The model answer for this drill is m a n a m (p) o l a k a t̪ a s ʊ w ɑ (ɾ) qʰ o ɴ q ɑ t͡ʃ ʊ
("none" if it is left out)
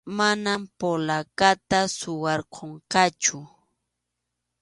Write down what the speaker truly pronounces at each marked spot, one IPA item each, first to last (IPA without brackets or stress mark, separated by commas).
p, ɾ